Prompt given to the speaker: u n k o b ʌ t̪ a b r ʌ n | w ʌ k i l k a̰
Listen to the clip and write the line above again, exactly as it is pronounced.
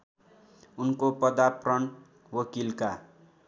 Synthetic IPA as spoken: u n k o p ʌ d̪ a p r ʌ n | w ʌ k i l k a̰